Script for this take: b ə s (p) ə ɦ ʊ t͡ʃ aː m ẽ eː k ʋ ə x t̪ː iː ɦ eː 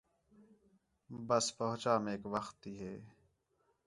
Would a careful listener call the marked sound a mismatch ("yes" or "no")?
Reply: no